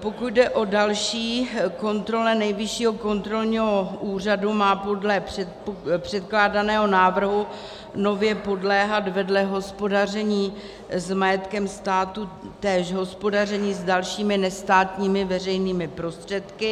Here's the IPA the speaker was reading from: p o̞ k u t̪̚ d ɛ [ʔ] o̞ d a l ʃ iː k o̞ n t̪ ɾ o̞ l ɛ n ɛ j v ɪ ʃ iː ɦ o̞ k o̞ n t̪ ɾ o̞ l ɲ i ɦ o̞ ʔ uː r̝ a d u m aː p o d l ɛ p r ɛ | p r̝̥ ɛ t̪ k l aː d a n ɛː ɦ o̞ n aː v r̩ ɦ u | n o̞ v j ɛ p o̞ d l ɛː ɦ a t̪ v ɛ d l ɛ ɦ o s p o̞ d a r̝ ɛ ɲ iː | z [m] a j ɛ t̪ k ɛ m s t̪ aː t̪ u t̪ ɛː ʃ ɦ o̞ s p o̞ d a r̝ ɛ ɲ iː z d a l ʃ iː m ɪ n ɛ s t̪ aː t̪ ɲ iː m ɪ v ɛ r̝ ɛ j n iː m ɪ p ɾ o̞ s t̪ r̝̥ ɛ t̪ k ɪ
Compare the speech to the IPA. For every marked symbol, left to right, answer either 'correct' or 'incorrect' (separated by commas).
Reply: correct, correct